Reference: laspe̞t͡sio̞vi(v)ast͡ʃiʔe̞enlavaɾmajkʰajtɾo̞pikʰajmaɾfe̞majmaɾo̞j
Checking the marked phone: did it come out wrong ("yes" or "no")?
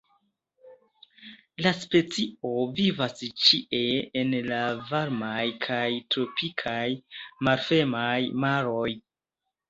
no